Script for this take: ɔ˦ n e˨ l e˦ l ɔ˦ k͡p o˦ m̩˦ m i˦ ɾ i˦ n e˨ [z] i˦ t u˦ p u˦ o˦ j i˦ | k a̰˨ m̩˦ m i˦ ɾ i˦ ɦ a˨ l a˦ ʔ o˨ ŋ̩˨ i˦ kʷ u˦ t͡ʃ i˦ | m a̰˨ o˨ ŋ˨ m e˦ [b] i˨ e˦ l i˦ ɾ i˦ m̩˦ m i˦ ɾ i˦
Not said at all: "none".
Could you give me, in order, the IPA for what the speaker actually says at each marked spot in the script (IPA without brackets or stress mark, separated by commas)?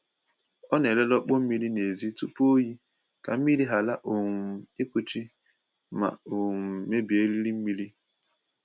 z, b